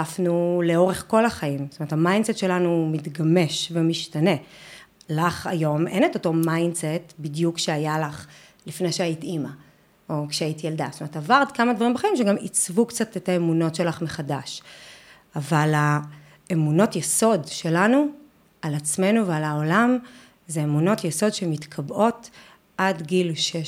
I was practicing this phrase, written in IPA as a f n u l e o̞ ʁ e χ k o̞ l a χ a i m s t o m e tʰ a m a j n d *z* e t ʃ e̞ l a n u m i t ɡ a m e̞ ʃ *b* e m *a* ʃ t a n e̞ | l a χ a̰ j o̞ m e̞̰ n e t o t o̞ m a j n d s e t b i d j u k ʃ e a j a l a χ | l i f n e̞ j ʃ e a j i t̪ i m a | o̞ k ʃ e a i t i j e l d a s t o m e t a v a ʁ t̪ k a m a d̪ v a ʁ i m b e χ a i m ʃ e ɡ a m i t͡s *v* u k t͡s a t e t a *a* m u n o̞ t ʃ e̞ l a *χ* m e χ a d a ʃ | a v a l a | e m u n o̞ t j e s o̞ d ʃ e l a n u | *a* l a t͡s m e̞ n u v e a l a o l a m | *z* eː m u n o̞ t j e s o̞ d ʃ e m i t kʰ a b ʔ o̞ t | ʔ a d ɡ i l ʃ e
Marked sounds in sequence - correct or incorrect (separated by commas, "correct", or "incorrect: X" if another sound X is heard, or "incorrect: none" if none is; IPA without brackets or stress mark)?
incorrect: s, incorrect: v, incorrect: i, correct, incorrect: e, correct, correct, correct